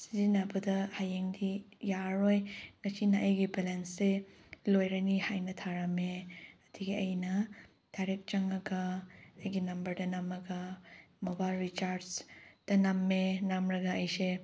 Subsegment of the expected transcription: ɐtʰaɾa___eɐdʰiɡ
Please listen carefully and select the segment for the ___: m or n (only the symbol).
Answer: m